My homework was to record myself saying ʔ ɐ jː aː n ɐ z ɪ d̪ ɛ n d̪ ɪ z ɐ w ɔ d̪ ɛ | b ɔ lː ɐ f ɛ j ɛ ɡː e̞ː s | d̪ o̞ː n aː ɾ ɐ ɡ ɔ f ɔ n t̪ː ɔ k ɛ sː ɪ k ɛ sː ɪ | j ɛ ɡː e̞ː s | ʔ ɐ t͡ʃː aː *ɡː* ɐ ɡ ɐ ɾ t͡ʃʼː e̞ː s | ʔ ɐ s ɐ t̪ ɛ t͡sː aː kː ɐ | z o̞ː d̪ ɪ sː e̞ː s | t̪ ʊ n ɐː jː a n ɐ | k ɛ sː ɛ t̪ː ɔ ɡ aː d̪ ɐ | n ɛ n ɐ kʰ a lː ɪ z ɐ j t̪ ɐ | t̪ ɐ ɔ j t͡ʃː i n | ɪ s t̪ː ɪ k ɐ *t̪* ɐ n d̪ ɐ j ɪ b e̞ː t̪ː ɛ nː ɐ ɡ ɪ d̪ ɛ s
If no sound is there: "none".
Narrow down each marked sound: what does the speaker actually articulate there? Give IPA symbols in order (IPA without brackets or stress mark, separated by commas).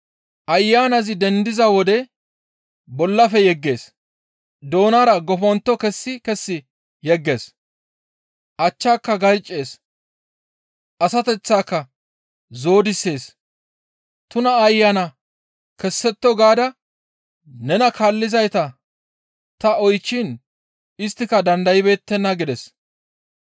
kː, d̪